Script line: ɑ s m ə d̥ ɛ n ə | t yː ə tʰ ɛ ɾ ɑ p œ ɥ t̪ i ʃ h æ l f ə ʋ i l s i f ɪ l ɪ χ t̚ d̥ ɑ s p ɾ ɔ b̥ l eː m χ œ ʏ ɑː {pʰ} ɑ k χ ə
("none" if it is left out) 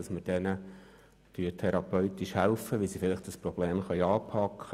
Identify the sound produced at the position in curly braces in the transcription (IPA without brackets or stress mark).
pʰ